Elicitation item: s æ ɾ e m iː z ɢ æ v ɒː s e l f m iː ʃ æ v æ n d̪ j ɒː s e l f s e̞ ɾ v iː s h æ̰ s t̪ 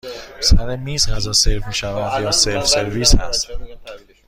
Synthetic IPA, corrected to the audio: s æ ɾ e m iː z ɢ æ z ɒː s e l f m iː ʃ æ v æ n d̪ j ɒː s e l f s e̞ ɾ v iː s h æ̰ s t̪